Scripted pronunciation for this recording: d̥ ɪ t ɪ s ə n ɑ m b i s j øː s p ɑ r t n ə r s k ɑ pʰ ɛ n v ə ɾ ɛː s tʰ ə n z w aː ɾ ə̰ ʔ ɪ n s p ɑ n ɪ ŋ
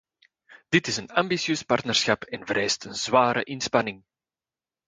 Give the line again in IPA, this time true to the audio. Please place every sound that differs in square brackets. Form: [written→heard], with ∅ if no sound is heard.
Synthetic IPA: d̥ ɪ t ɪ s ə n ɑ m b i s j øː s p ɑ r t n ə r s [k→x] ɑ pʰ ɛ n v ə ɾ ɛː s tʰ ə n z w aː ɾ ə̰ ʔ ɪ n s p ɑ n ɪ ŋ